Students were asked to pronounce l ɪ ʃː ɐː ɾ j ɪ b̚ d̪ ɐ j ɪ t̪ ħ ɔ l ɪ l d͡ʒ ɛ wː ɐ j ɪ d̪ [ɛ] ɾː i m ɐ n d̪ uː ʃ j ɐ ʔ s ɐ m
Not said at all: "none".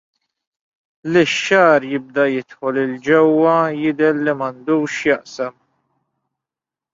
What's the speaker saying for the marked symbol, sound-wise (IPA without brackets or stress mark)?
ɛ